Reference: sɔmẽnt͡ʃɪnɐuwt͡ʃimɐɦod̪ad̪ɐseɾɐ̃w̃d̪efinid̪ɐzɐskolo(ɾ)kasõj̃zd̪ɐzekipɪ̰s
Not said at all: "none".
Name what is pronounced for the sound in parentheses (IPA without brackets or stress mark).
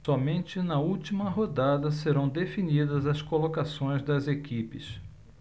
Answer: none